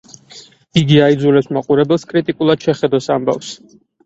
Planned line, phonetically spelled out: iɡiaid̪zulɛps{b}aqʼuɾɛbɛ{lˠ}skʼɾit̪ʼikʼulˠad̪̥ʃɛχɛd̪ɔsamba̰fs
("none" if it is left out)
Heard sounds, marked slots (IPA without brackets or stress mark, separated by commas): m, lˠ